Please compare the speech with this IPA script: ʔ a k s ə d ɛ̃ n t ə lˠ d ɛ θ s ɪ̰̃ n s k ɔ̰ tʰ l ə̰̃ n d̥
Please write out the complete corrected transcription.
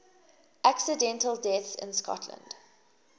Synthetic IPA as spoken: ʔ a k s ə d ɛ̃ n t ə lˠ d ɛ θ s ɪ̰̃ n s k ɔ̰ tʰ l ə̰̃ n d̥